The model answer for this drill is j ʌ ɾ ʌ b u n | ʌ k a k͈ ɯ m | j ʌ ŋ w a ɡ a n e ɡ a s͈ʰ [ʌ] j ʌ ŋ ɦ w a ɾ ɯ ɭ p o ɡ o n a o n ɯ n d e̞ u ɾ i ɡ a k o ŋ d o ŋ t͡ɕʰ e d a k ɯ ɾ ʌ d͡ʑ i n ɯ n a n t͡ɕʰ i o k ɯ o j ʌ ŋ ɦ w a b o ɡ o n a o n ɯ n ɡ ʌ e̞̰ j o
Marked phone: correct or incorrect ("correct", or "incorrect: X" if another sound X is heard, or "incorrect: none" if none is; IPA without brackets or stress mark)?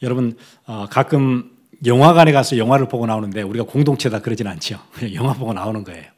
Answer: correct